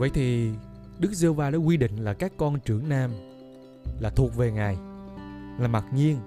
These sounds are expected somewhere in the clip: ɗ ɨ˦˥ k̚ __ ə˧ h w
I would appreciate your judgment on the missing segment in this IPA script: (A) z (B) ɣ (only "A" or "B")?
A